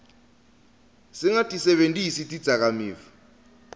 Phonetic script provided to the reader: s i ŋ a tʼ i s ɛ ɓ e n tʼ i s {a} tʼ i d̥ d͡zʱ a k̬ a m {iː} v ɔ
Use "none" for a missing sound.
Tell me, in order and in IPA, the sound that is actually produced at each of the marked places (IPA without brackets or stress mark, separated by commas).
i, iː